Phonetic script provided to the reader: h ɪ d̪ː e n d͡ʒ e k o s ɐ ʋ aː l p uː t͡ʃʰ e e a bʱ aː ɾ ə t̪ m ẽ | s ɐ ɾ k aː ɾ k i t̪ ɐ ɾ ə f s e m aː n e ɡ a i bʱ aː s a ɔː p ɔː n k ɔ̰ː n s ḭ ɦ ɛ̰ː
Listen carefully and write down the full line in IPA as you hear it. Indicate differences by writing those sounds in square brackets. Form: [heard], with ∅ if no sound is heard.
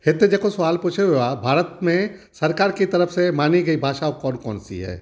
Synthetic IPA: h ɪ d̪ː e [∅] d͡ʒ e k o s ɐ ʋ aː l p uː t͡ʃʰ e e a bʱ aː ɾ ə t̪ m ẽ | s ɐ ɾ k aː ɾ k i t̪ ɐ ɾ ə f s e m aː n [i] ɡ [ɐ] i bʱ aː [ʃ] a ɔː [k] ɔː n k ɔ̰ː n s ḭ ɦ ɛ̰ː